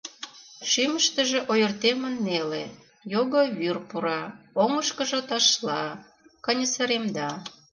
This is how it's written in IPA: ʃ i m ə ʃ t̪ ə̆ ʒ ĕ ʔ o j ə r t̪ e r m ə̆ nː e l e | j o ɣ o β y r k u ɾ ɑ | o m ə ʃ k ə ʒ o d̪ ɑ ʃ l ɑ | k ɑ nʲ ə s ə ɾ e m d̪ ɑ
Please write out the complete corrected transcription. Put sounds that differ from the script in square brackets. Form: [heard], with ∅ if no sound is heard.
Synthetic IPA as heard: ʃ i m ə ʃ t̪ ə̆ ʒ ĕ ʔ o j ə r t̪ e [∅] m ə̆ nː e l e | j o ɣ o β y r [p] u ɾ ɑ | o [ŋ] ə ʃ k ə ʒ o [t̪] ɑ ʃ l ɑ | k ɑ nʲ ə s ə ɾ e m d̪ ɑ